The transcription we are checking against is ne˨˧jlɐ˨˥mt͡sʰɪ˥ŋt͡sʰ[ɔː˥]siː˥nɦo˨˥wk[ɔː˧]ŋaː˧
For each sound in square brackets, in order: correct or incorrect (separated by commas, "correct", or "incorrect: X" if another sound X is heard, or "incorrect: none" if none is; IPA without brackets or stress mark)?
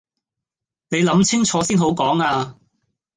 incorrect: ɔː˨˧, incorrect: ɔː˨˥